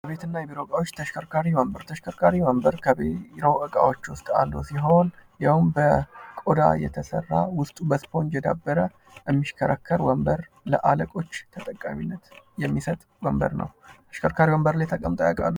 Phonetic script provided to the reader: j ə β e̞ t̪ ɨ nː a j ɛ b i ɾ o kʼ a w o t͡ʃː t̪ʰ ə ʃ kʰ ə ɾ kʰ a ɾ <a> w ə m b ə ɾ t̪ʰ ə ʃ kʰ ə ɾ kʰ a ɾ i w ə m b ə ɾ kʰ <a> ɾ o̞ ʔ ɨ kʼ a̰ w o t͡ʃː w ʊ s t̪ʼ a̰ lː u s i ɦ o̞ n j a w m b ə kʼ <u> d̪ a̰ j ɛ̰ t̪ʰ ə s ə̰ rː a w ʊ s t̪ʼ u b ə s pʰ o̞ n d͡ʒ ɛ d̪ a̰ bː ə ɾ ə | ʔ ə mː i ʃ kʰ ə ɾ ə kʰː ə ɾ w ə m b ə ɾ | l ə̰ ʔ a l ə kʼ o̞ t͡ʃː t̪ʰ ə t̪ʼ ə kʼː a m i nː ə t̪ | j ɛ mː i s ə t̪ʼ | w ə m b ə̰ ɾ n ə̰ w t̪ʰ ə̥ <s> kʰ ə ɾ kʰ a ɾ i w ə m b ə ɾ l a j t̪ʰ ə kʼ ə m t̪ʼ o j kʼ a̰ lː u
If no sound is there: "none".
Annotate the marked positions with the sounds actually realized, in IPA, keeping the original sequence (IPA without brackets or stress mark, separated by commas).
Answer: i, ə, o, ʃ